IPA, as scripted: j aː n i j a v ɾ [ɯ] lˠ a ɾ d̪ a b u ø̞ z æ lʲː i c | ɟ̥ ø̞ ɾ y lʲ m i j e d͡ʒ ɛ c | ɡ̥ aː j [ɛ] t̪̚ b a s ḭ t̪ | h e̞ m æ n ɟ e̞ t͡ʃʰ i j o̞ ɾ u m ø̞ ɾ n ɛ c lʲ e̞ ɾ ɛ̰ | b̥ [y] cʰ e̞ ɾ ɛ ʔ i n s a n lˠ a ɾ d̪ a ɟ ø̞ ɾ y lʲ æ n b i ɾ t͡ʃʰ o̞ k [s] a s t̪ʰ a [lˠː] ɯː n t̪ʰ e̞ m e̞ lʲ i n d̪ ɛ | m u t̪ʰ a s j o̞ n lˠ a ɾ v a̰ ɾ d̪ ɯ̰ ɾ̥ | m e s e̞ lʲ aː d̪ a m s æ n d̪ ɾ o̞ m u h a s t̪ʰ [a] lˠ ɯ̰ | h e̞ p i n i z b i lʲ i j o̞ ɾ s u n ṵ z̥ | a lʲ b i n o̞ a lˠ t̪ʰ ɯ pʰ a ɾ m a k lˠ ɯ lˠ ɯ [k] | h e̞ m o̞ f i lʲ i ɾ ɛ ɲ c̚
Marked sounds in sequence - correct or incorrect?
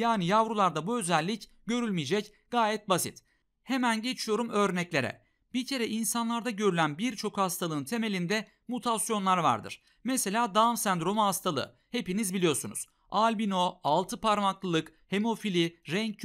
incorrect, correct, incorrect, incorrect, incorrect, correct, correct

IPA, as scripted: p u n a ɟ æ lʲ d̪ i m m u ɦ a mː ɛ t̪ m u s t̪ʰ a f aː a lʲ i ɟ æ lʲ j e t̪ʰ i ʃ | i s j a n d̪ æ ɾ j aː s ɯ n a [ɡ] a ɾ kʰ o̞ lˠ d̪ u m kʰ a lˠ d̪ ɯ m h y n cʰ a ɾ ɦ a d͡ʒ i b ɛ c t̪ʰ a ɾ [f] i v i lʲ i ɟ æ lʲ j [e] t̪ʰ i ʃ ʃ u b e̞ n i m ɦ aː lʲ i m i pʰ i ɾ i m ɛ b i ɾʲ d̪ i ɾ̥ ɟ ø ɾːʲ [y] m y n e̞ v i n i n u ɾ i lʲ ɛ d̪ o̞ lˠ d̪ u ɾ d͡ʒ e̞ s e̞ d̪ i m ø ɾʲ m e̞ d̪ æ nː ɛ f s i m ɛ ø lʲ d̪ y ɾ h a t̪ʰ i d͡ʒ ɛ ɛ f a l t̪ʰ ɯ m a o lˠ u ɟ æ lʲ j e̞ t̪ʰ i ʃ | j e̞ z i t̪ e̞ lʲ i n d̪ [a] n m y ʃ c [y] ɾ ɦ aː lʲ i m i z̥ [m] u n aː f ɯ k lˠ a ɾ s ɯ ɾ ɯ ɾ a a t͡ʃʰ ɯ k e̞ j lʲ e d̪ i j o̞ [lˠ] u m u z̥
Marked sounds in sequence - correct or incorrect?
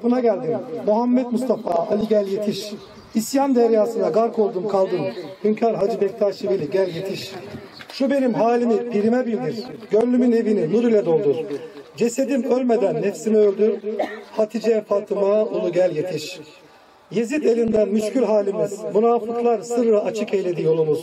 correct, incorrect, correct, correct, incorrect, correct, correct, correct

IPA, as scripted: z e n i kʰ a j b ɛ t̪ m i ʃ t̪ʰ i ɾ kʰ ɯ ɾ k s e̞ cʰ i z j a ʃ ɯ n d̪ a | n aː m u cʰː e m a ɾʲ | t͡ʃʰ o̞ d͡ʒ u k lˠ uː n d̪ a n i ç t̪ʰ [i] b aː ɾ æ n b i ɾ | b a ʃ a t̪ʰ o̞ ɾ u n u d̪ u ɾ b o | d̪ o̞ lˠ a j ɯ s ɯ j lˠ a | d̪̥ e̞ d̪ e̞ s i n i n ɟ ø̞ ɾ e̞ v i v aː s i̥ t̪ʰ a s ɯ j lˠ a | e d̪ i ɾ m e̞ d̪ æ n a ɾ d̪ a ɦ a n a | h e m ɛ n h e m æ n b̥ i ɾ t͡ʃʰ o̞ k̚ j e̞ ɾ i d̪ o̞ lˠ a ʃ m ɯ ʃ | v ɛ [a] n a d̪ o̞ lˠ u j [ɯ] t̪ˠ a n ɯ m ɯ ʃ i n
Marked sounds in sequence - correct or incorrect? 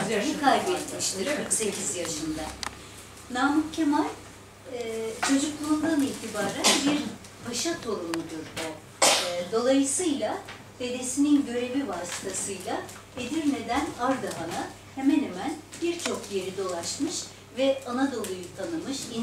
correct, correct, incorrect

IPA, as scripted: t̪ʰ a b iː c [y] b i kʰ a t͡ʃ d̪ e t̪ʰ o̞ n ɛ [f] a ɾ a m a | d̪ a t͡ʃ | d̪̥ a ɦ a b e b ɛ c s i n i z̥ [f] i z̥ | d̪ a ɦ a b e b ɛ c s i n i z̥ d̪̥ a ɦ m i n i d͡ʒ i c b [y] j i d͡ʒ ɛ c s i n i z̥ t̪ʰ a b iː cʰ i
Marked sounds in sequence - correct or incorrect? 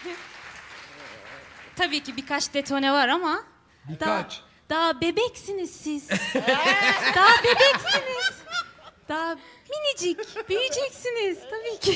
incorrect, incorrect, incorrect, incorrect

